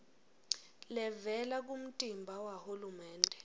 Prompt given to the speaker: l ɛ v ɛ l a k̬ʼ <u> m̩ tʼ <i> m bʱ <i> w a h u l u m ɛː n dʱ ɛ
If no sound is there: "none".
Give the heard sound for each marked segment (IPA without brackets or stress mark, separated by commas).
u, i, a